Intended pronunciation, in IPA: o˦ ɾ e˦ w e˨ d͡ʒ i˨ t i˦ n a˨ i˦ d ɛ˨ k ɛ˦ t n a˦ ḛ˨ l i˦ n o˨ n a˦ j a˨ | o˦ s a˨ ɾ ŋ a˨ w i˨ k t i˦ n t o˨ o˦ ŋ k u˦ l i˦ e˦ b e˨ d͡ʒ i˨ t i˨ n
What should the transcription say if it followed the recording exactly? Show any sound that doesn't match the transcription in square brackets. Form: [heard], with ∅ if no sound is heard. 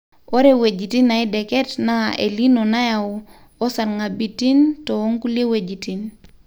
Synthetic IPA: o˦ ɾ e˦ w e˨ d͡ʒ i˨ t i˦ n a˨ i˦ d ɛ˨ k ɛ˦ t n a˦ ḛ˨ l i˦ n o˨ n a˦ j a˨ | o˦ s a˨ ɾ ŋ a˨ [b] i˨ [∅] t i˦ n t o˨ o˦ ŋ k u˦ l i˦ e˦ [w] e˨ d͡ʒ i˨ t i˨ n